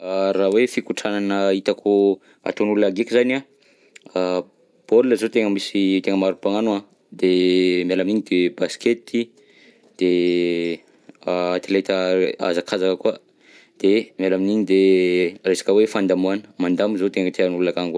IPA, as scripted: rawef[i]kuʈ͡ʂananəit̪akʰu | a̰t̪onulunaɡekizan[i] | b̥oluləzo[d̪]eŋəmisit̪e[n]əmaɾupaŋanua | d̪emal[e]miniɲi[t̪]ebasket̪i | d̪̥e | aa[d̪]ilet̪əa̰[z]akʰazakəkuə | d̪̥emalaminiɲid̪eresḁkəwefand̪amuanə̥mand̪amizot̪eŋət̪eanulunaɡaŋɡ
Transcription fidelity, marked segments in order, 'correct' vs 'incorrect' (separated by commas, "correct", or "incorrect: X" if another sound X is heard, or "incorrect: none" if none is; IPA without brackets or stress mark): correct, incorrect: a, incorrect: t̪, incorrect: ŋ, incorrect: a, incorrect: d̪, incorrect: t̪, correct